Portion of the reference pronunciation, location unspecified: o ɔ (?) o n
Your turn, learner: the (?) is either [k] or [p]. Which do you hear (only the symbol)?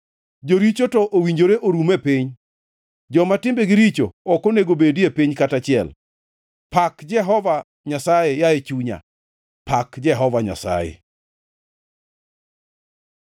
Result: k